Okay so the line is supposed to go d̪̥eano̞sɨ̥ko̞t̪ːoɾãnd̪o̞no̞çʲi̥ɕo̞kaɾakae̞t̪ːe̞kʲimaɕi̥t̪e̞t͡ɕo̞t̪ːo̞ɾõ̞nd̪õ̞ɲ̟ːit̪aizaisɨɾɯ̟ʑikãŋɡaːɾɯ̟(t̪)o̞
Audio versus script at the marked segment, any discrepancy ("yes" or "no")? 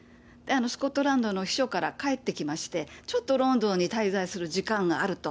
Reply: no